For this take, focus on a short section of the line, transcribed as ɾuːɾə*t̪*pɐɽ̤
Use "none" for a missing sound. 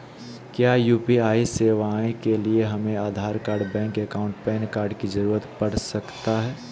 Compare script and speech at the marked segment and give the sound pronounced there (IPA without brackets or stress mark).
t̪